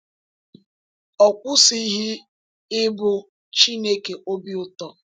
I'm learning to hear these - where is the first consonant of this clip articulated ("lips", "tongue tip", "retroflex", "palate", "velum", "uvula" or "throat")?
velum